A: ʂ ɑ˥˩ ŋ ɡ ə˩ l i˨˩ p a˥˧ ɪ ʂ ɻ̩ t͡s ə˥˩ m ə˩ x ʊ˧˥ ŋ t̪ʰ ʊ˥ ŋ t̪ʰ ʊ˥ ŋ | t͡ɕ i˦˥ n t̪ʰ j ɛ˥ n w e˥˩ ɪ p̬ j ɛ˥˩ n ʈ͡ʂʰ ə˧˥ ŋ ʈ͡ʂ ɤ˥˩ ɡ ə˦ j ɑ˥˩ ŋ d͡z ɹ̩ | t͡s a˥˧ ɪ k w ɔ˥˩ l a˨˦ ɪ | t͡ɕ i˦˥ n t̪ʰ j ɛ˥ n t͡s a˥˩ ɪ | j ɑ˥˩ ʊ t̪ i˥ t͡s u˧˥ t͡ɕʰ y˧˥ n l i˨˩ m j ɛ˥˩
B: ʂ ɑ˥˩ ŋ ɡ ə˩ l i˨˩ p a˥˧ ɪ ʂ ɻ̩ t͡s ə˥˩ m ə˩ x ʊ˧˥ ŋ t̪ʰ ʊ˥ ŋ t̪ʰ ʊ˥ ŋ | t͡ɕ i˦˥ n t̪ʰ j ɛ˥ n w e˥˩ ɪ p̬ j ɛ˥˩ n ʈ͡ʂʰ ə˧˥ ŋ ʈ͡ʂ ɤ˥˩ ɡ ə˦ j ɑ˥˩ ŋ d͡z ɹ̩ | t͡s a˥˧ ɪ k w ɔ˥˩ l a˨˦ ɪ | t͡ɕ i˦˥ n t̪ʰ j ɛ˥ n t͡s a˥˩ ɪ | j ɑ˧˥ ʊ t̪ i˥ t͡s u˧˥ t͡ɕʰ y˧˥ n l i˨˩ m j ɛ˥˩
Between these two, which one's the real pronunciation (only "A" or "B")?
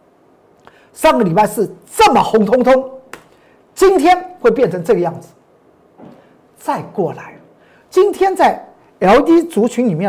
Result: B